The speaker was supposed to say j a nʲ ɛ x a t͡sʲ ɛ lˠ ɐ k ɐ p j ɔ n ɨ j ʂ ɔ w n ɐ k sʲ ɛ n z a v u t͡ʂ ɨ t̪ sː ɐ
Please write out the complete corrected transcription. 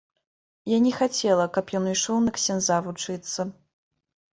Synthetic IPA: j a nʲ ɛ x a t͡sʲ ɛ lˠ ɐ k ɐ p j ɔ n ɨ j ʂ ɔ w n ɐ k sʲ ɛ n z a v u t͡ʂ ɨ t̪ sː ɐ